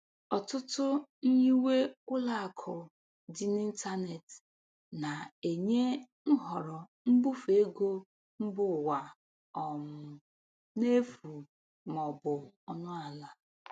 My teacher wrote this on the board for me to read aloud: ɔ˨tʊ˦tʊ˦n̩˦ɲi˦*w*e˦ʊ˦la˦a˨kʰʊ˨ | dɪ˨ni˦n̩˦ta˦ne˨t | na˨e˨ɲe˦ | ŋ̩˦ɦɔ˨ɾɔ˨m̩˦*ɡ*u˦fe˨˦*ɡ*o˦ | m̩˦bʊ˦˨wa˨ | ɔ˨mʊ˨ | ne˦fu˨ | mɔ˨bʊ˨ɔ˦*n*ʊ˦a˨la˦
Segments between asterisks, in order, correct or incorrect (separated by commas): correct, incorrect, correct, correct